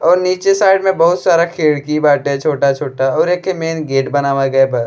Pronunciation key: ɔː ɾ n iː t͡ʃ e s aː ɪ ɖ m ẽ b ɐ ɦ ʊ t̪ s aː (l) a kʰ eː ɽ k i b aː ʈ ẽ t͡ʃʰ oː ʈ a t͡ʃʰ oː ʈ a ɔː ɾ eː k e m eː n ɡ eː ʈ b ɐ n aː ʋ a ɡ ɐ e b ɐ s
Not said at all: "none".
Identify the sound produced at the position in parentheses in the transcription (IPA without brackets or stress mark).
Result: ɾ